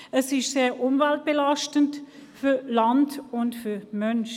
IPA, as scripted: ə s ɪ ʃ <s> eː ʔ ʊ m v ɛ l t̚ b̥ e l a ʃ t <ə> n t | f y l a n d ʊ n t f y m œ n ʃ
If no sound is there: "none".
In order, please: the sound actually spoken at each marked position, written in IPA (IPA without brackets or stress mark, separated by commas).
s, ə